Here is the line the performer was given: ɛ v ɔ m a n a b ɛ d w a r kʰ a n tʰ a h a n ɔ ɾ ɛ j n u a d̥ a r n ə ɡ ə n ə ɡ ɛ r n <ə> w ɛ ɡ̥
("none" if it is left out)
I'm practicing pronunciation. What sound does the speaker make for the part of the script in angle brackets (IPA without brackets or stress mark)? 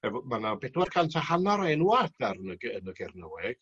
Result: ə